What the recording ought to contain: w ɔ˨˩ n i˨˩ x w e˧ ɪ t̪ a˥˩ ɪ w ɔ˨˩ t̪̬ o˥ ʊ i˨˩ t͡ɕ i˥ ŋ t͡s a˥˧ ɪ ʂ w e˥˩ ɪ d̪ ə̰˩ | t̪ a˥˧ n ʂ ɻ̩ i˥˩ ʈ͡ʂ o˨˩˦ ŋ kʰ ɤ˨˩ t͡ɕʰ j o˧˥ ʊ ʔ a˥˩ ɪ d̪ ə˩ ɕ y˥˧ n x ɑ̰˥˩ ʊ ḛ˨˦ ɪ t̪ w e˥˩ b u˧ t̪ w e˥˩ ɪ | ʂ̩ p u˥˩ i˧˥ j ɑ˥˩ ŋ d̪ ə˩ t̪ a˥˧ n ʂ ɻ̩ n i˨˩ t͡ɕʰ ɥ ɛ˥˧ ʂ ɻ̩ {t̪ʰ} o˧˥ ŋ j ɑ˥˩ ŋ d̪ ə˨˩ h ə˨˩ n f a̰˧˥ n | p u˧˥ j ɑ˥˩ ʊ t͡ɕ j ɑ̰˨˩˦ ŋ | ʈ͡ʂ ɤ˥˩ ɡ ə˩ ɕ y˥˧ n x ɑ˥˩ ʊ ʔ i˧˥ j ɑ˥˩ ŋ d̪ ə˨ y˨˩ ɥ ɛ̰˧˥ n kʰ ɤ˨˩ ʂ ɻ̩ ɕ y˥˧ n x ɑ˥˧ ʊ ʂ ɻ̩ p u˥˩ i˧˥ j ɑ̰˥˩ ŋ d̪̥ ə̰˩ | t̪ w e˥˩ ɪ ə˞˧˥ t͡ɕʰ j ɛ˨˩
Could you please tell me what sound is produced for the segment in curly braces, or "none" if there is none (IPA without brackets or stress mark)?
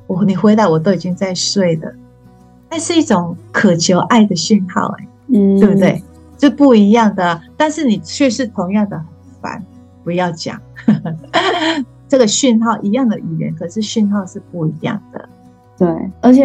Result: t̪ʰ